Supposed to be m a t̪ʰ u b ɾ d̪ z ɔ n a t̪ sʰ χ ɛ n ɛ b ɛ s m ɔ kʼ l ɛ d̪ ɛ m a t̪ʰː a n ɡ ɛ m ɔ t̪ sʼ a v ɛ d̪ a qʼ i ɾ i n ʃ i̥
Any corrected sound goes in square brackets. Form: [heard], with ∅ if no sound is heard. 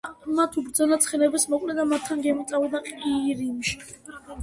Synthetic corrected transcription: m a t̪ʰ u b ɾ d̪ z ɔ n a t̪ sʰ χ ɛ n ɛ b ɛ s m ɔ kʼ l ɛ d̪ [a] m a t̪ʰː a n ɡ ɛ m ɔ t̪ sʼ a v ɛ d̪ a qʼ i ɾ i [m] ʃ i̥